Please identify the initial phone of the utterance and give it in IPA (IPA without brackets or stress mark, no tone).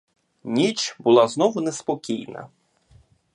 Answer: nʲ